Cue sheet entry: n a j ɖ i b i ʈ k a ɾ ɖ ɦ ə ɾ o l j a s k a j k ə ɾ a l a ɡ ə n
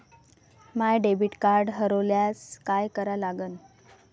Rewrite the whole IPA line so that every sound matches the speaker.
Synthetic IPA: m a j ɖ e b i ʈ k a ɾ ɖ ɦ ə ɾ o l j a s k a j k ə ɾ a l a ɡ ə n

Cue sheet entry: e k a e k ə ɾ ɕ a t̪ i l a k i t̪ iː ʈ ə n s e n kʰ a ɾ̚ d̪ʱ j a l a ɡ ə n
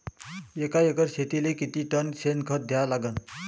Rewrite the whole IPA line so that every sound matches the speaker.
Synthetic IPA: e k a e k ə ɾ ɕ e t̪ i l e k i t̪ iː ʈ ə n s e n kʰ ə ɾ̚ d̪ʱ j a l a ɡ ə n

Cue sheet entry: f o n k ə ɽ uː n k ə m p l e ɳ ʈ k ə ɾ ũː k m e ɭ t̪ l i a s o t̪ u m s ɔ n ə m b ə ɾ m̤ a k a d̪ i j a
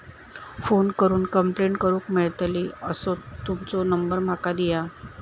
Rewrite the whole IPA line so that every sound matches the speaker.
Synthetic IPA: f o n k ə ɾ uː n k ə m p l e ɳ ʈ k ə ɾ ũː k m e ɭ t̪ l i ə s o t̪ u m t͡s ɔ n ə m b ə ɾ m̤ a k a d̪ i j a

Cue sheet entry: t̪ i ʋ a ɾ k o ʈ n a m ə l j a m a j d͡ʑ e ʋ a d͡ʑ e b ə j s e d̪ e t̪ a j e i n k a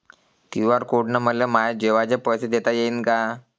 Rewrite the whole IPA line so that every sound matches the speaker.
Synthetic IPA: t̪ i ʋ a ɾ k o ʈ n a m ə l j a m a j d͡ʑ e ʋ a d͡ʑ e p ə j s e d̪ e t̪ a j e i n k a

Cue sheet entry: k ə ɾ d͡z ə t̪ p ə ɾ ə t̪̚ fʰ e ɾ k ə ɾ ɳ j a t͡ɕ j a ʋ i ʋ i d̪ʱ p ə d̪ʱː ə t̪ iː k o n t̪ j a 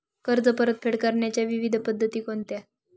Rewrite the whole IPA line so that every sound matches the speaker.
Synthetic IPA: k ə ɾ d͡z ə p ə ɾ ə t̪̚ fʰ e ɽ k ə ɾ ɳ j a t͡ɕ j a ʋ i ʋ i d̪ʱ p ə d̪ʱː ə t̪ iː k o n t̪ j a

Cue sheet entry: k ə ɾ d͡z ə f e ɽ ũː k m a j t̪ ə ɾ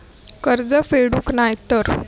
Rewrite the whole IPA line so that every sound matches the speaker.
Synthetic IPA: k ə ɾ d͡z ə f e ɽ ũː k n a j t̪ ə ɾ

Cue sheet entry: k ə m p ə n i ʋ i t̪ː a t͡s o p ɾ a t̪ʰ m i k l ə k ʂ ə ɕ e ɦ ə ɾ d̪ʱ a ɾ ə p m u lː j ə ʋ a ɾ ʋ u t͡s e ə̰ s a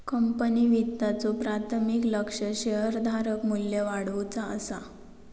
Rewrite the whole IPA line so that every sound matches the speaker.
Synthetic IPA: k ə m p ə n i ʋ i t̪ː a t͡s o p ɾ a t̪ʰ m i k l ə k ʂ ə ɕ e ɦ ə ɾ d̪ʱ a ɾ ə k m u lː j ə ʋ a ɽ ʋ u t͡s a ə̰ s a

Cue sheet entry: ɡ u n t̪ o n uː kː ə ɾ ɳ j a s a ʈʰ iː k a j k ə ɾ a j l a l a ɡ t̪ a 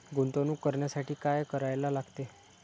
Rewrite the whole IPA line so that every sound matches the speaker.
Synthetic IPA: ɡ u n t̪ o n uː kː ə ɾ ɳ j a s a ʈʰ iː k a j k ə ɾ a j l a l a ɡ t̪ e

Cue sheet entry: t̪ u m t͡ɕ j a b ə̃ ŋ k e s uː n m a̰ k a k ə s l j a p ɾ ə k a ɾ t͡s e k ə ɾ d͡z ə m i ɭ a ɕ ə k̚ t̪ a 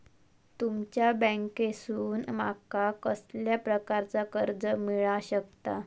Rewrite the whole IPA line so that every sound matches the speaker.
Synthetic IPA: t̪ u m t͡ɕ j a b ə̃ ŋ k e s uː n m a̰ k a k ə s l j a p ɾ ə k a ɾ t͡s a k ə ɾ d͡z ə m i ɭ a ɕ ə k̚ t̪ a

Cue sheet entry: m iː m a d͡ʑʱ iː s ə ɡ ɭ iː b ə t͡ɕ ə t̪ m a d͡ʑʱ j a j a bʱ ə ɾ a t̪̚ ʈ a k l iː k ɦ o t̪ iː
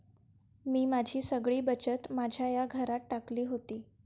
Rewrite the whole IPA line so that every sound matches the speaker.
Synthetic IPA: m iː m a d͡ʑʱ iː s ə ɡ ɭ iː b ə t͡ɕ ə t̪ m a d͡ʑʱ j a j a ɡʱ ə ɾ a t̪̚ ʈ a k l iː ɦ o t̪ iː

